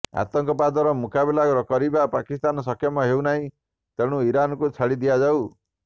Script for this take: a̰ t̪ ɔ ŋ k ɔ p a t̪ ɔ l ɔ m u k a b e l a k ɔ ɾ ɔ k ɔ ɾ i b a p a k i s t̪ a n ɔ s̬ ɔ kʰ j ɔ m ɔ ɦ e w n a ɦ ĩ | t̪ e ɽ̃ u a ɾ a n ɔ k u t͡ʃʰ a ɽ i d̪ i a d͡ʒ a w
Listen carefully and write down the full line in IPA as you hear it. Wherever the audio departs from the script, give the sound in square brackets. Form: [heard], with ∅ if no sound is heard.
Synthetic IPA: a̰ t̪ ɔ ŋ k ɔ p a [d̪] ɔ [ɾ] ɔ m u k a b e l a k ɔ ɾ ɔ k ɔ ɾ i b a p a k i s t̪ a n ɔ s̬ ɔ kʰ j ɔ m ɔ ɦ e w n a ɦ ĩ | t̪ e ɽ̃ u [i] ɾ a n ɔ k u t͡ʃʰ a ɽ i d̪ i a d͡ʒ a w